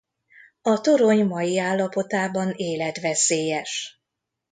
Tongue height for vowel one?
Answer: low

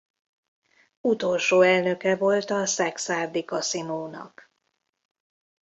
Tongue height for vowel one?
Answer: high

